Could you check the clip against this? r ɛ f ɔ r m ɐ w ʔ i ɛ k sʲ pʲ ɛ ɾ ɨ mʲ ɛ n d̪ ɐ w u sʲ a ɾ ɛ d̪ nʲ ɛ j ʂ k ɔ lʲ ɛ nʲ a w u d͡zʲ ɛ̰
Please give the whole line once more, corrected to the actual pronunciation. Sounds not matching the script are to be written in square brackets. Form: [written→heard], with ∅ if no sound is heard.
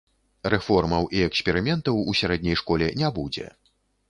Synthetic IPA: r ɛ f ɔ r m ɐ w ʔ i ɛ k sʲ pʲ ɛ ɾ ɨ mʲ ɛ n [d̪→t̪] ɐ w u sʲ a ɾ ɛ d̪ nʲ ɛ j ʂ k ɔ lʲ ɛ nʲ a [w→b] u d͡zʲ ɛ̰